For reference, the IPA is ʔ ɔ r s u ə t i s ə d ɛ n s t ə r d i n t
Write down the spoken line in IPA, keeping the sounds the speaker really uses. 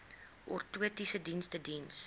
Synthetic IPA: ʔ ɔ r t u ə t i s ə d i n s t ə d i n s